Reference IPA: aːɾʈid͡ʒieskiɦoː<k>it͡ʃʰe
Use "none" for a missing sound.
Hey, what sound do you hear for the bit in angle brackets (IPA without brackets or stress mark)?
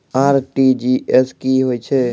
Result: none